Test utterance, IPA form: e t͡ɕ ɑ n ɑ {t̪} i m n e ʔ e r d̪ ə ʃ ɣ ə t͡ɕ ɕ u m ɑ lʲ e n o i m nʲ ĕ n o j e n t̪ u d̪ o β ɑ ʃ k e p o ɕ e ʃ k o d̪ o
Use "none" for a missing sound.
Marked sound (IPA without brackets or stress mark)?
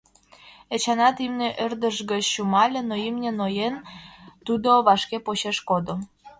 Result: t̪